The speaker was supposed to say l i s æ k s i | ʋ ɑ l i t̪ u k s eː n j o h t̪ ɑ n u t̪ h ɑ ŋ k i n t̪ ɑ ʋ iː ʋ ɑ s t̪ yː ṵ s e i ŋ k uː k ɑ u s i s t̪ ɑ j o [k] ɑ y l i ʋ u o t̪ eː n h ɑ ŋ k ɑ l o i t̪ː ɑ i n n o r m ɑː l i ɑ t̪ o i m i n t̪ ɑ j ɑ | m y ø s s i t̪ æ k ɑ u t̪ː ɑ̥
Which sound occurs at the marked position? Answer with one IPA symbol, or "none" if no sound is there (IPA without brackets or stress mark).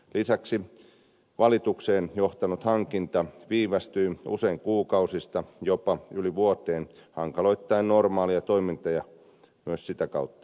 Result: p